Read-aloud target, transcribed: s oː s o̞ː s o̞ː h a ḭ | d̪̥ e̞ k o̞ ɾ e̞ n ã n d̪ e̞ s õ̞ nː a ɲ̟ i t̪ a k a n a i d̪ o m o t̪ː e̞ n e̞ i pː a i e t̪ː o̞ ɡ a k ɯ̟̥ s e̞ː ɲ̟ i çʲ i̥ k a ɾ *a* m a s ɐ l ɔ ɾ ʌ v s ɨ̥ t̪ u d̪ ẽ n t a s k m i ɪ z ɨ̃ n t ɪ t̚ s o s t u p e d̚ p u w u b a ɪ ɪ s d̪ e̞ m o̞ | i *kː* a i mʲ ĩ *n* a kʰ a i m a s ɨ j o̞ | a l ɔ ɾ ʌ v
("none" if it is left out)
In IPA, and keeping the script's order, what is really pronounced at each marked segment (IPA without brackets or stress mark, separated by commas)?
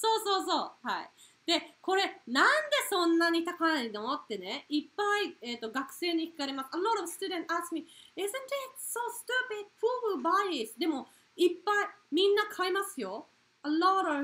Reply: e, pː, nː